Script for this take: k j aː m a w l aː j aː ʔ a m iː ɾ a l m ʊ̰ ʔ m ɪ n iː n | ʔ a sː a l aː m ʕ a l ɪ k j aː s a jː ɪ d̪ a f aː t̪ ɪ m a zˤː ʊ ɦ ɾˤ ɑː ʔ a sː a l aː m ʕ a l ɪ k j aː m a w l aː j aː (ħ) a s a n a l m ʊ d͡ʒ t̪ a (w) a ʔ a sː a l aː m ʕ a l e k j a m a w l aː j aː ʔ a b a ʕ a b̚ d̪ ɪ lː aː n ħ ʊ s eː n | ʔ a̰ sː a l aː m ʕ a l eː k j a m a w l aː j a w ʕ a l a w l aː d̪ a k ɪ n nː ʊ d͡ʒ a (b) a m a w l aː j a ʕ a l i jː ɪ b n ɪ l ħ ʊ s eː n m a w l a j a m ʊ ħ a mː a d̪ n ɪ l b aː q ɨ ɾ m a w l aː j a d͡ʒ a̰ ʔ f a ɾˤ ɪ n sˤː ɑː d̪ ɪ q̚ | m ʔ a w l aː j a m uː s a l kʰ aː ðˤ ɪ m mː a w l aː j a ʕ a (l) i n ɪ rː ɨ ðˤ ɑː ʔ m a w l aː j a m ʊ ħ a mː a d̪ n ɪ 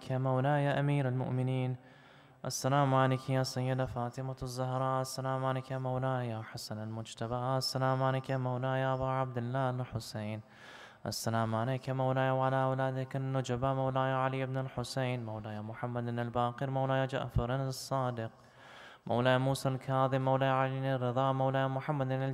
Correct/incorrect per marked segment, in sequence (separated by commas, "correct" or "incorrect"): correct, incorrect, correct, correct